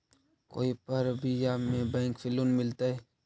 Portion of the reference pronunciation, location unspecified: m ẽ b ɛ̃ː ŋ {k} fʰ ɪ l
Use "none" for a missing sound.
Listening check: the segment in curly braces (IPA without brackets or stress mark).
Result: k